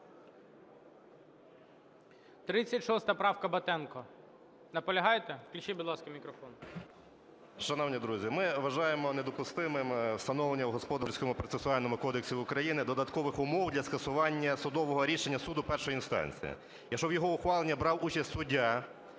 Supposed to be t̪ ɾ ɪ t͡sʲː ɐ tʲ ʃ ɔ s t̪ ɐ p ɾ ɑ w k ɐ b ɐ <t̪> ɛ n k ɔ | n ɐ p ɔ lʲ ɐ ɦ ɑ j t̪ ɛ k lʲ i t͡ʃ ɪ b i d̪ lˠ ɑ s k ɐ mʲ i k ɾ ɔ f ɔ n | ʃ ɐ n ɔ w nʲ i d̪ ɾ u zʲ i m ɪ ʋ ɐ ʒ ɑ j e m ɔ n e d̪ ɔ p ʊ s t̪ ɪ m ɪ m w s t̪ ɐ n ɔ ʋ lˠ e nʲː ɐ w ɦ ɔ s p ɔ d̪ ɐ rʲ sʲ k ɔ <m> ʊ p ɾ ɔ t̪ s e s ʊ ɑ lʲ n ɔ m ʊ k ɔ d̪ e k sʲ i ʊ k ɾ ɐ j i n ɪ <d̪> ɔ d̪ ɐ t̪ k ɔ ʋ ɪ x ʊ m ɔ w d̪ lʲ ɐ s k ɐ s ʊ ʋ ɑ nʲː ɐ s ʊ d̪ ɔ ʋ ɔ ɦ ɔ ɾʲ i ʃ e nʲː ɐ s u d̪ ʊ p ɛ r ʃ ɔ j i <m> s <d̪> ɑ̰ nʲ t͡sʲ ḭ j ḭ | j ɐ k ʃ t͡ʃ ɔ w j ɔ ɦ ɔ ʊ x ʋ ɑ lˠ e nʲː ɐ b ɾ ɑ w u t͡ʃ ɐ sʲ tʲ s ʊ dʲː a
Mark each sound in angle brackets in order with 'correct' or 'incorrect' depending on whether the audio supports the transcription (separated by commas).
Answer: correct, correct, correct, incorrect, incorrect